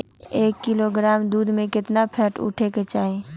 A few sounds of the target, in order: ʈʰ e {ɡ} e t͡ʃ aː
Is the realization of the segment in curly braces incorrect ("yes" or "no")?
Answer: yes